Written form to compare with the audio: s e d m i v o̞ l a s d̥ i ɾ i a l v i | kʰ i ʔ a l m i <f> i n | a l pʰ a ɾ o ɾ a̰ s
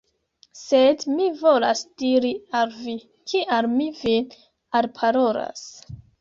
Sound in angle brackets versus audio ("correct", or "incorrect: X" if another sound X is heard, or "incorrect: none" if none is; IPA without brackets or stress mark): incorrect: v